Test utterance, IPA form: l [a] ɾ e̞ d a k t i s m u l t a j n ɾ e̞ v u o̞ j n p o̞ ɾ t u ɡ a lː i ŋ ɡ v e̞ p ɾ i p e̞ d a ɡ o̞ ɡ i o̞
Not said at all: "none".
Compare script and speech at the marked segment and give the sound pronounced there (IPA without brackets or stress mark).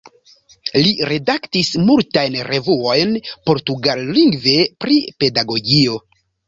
i